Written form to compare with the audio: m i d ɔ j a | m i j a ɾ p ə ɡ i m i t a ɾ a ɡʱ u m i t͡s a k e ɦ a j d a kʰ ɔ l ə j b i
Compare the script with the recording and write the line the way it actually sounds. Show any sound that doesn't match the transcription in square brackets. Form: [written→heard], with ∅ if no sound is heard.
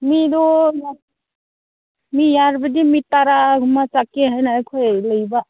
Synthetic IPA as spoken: m i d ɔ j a | m i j a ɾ [p→b] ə [ɡ→d] i m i t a ɾ a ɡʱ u m [i→a] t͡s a k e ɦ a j [d→n] a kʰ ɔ l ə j b [i→a]